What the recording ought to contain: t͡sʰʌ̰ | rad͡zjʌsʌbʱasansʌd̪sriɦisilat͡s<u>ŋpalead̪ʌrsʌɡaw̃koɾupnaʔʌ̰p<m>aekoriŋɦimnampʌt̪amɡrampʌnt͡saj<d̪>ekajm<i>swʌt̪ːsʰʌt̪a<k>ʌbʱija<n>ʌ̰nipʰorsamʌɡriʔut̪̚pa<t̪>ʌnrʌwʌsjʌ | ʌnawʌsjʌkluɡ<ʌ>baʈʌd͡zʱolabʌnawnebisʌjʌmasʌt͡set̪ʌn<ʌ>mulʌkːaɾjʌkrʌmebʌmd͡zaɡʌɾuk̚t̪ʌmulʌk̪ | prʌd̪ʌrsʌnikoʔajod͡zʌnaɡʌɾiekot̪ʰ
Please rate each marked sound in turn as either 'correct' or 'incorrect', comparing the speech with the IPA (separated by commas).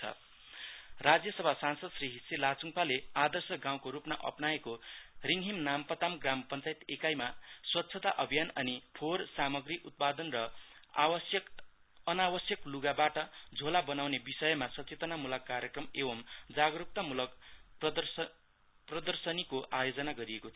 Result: correct, incorrect, incorrect, incorrect, incorrect, correct, incorrect, incorrect, incorrect